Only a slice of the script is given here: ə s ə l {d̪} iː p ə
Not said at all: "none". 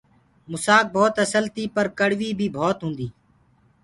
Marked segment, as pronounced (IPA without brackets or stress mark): t̪